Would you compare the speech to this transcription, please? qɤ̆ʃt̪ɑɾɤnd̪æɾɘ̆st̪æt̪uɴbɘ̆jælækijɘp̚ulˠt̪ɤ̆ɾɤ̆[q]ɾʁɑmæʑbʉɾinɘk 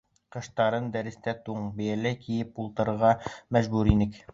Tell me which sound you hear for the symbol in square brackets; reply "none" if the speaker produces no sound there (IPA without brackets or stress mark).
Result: none